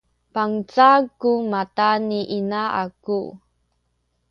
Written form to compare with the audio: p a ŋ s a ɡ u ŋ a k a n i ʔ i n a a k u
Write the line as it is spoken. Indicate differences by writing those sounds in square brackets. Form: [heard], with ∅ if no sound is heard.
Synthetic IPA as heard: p a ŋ [t͡s] a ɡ u [m] a [t] a n i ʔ i n a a k u